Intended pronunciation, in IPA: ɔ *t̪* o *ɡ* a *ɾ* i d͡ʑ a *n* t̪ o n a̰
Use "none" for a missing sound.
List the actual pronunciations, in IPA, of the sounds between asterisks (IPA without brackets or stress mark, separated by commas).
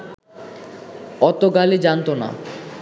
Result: t̪, ɡ, l, n